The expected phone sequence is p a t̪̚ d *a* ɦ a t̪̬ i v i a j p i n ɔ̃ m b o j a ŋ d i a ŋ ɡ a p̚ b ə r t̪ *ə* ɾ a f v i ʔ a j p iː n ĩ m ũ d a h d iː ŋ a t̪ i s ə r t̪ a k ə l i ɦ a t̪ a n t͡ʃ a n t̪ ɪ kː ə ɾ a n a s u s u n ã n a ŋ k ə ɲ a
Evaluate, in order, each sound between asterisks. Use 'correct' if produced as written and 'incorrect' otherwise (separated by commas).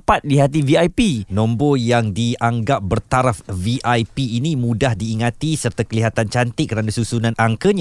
incorrect, incorrect